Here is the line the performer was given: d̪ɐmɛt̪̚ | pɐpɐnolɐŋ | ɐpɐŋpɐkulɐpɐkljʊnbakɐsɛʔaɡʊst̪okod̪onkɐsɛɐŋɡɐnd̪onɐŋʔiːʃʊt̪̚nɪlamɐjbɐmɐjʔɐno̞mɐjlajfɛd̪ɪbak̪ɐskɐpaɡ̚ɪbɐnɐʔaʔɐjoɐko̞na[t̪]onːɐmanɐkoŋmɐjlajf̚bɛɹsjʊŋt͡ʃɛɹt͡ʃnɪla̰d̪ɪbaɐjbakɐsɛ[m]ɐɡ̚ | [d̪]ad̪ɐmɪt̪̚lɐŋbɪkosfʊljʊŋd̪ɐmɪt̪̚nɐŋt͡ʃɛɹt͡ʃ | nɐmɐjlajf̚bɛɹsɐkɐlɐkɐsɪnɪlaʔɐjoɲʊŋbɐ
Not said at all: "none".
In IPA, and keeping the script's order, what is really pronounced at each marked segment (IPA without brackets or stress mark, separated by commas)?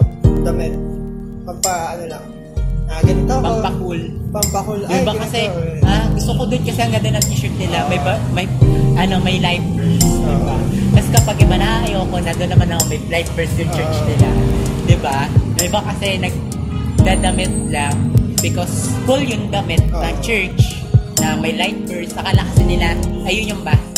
d̪, n, d̪